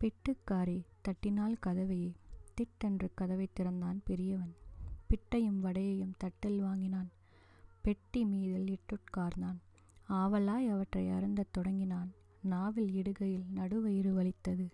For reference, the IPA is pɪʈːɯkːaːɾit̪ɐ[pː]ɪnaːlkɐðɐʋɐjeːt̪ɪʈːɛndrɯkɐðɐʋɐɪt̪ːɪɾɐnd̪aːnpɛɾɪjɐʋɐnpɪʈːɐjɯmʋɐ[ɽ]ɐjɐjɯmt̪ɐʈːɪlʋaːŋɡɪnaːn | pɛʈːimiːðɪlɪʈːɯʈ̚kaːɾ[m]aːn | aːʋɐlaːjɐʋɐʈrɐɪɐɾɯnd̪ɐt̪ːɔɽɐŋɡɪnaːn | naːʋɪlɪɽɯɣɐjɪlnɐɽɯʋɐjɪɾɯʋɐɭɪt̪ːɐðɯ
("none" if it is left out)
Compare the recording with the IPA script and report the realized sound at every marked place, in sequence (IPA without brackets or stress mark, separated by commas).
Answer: ʈː, ɽ, n